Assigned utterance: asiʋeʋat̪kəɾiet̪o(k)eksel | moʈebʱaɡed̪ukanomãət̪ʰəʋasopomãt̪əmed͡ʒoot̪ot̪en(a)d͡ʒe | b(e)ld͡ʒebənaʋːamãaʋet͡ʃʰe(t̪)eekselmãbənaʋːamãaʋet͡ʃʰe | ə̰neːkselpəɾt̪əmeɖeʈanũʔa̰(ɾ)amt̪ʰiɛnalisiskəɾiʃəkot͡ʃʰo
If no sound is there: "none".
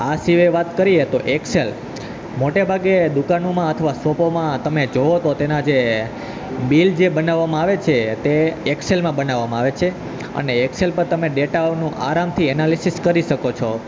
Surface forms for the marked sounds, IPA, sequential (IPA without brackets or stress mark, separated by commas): ʔ, a, i, t̪, ɾ